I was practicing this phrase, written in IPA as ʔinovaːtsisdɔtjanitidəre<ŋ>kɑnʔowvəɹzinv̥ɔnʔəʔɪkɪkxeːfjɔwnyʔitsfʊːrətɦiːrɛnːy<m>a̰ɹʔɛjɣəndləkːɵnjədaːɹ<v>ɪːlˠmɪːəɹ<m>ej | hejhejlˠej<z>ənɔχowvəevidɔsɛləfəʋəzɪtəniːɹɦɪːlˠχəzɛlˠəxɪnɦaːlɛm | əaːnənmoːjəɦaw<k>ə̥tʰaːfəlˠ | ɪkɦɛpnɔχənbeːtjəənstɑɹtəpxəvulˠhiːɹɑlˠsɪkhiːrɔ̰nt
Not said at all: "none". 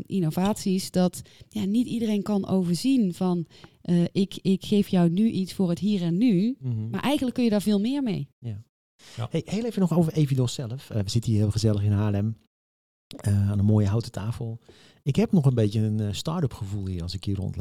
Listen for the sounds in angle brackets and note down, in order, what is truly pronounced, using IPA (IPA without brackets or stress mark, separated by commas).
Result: n, m, v, m, v, t